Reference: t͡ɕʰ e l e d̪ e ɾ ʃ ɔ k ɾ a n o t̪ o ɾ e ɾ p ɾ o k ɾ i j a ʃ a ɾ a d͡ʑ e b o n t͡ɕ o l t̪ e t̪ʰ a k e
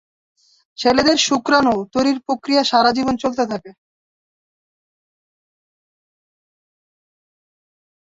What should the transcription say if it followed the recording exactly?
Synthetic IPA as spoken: t͡ɕʰ e l e d̪ e ɾ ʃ u k ɾ a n o t̪ o ɾ i ɾ p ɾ o k ɾ i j a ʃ a ɾ a d͡ʑ i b o n t͡ɕ o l t̪ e t̪ʰ a k e